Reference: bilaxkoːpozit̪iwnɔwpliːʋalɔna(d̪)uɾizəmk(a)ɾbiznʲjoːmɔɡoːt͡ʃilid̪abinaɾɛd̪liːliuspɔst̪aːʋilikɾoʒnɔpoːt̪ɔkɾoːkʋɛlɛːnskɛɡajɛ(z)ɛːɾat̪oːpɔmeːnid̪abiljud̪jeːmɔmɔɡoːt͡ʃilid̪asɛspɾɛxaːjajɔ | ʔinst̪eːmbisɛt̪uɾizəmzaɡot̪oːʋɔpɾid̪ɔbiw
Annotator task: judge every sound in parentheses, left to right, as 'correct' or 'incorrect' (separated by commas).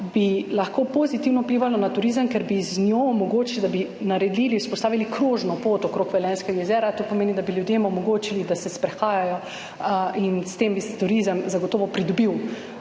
incorrect, incorrect, correct